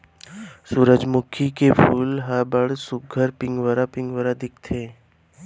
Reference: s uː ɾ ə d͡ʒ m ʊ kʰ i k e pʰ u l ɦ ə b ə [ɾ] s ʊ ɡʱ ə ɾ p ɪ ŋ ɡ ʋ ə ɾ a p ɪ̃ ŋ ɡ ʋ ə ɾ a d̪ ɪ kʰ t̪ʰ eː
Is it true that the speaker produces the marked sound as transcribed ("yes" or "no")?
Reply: no